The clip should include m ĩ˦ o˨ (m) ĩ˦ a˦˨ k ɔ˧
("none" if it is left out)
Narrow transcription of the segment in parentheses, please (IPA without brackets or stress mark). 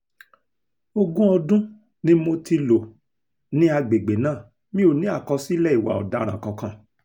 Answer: n